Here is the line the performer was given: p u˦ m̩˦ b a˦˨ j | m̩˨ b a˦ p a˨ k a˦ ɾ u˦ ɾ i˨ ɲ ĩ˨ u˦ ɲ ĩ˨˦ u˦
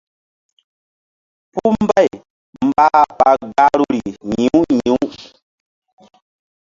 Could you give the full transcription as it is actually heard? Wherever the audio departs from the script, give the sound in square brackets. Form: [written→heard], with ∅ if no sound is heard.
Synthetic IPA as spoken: p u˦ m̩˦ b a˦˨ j | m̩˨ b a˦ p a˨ [k→ɡ] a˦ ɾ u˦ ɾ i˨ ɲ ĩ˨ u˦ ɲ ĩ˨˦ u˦